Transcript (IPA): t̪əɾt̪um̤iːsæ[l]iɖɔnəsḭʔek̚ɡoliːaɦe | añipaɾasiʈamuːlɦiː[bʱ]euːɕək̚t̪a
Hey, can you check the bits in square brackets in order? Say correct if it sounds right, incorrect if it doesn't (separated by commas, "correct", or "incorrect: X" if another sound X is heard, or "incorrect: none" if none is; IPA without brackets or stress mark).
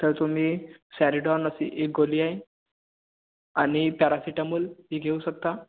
incorrect: ɾ, incorrect: ɡʱ